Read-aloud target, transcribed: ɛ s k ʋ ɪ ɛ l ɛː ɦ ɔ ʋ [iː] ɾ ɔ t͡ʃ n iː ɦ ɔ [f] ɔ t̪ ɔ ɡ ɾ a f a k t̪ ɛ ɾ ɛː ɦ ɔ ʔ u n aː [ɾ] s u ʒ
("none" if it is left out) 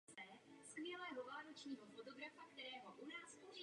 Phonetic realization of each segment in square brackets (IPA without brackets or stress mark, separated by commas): aː, f, none